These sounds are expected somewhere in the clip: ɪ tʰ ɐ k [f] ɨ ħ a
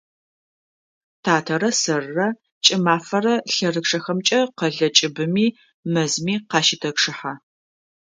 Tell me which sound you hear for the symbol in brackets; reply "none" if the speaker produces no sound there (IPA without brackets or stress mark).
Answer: ʂ